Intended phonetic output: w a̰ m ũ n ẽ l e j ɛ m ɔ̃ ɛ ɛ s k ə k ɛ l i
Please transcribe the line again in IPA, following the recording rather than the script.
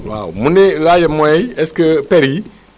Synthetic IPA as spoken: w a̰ m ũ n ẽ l a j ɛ m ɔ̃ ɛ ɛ s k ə p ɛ ɾ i